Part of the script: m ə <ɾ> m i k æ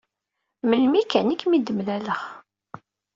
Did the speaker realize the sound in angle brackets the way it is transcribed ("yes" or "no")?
no